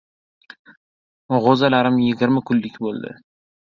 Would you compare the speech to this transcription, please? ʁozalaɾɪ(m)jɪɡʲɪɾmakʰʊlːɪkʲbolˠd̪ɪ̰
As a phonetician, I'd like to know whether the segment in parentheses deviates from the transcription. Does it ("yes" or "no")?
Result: no